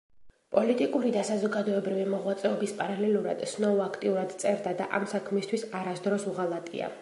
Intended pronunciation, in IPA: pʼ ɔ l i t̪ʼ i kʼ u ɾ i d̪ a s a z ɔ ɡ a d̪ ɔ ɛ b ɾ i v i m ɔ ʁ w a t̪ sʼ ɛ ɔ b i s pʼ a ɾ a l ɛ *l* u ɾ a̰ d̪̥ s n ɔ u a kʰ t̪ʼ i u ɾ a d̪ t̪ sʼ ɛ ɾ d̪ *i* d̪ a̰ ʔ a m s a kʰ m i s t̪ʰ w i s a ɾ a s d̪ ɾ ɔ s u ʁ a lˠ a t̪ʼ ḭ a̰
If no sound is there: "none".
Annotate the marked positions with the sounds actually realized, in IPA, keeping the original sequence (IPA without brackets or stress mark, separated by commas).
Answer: l, a